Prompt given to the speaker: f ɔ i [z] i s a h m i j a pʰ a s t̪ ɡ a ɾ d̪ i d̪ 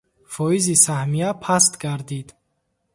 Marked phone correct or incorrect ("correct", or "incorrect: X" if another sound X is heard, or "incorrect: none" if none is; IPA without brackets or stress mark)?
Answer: correct